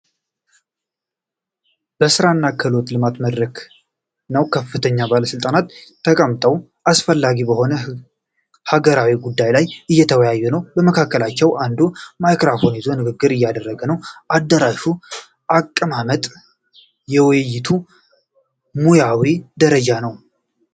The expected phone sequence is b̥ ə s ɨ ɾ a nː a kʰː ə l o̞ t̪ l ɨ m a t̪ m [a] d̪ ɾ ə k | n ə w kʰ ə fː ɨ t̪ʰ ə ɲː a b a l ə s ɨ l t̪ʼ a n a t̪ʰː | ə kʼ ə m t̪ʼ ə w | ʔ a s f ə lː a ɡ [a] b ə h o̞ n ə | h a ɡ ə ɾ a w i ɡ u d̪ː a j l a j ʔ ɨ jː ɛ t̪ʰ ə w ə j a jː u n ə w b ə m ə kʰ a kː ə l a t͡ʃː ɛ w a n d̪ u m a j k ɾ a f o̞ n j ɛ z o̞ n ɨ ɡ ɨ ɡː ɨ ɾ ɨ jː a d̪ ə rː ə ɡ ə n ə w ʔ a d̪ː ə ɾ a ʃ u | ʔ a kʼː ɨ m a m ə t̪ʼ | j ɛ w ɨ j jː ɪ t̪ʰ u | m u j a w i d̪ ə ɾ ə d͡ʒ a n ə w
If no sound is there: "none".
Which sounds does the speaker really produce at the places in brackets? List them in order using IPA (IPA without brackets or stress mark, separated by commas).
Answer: ə, i